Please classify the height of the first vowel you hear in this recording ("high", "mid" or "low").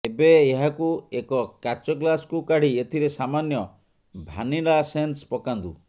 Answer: mid